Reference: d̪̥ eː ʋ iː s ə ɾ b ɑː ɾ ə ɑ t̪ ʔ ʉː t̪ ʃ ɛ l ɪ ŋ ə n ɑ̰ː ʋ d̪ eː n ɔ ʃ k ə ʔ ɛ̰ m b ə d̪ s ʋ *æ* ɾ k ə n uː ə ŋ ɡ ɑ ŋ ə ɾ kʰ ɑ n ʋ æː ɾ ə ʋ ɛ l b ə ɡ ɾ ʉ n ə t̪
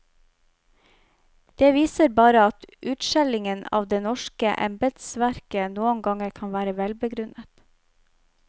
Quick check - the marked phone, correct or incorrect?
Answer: correct